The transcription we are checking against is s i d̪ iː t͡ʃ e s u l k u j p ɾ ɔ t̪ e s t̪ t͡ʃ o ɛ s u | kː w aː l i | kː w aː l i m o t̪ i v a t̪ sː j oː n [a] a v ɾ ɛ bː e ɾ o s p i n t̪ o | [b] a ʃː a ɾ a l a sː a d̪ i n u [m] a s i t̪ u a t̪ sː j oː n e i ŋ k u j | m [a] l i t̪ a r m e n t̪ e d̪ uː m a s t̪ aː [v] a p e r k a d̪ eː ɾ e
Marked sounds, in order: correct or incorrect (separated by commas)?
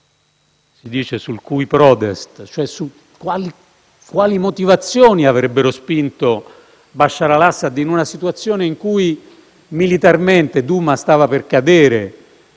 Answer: incorrect, correct, incorrect, incorrect, correct